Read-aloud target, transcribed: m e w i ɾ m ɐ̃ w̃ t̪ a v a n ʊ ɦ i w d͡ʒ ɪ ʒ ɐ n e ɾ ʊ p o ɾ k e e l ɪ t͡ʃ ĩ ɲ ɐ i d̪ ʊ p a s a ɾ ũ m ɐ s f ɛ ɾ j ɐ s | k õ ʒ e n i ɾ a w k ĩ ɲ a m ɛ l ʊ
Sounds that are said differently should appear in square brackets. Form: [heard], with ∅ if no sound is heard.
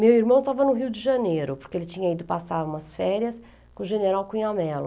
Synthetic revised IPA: m e w i ɾ m ɐ̃ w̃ t̪ a v [ɐ] n ʊ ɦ i w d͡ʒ ɪ ʒ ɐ n e ɾ ʊ p o ɾ k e e l ɪ t͡ʃ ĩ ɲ ɐ i d̪ ʊ p a s a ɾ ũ m ɐ s f ɛ ɾ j ɐ s | k õ ʒ e n [e] ɾ a w k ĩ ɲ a m ɛ l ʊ